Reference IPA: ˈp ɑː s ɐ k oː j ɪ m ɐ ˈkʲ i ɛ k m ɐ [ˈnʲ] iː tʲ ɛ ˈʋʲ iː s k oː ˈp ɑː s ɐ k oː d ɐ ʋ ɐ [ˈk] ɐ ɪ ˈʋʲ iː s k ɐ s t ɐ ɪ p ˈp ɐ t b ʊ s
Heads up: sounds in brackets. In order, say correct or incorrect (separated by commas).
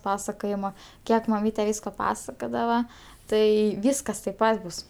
incorrect, incorrect